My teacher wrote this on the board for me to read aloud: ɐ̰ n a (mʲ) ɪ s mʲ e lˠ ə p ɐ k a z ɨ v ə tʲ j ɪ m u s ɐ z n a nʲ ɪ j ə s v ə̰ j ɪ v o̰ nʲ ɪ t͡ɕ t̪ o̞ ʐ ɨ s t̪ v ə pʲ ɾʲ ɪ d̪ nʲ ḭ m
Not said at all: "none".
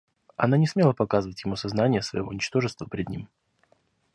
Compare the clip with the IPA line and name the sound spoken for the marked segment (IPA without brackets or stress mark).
nʲ